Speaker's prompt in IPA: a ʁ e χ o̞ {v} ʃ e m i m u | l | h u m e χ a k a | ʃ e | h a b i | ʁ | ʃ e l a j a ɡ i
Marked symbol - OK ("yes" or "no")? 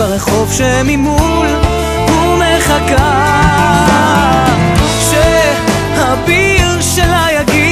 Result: yes